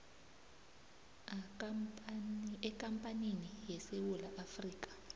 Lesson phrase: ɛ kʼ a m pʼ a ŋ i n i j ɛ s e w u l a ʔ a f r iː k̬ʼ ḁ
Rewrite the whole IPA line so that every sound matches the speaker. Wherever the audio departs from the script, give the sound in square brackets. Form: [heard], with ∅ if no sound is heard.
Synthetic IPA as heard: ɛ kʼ a m pʼ a [n] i n i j ɛ s e w u l a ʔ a f r iː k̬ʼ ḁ